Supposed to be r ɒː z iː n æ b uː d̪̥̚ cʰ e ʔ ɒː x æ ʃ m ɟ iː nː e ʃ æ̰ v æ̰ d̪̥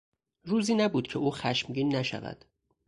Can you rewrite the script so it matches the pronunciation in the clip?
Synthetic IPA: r uː z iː n æ b uː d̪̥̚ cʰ e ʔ uː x æ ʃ m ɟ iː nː æ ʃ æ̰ v æ̰ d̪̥